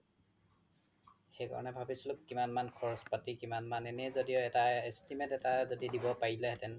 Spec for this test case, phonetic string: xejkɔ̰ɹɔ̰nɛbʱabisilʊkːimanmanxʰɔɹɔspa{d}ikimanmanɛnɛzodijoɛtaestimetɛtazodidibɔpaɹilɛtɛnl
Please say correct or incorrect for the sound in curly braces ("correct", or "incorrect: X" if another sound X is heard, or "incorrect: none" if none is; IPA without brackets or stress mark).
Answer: incorrect: t